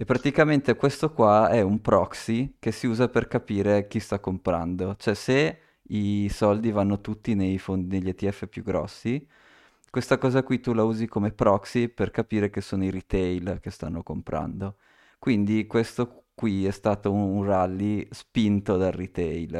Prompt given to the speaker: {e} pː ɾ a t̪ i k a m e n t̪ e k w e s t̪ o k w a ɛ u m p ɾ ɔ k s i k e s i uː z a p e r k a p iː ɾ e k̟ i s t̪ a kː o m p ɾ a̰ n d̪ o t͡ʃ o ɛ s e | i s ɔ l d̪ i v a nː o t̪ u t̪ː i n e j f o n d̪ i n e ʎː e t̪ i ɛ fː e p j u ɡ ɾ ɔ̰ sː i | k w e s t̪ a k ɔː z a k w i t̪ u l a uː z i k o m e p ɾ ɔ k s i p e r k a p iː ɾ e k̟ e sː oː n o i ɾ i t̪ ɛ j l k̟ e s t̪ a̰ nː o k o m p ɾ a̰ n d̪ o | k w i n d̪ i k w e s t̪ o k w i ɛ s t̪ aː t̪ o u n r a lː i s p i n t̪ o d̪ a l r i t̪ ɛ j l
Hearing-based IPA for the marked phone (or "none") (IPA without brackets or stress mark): e